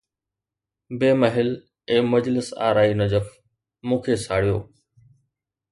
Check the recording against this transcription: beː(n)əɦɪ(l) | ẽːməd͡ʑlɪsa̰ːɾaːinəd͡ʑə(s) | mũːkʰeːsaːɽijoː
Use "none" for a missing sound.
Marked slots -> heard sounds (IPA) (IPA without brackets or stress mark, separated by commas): m, l, f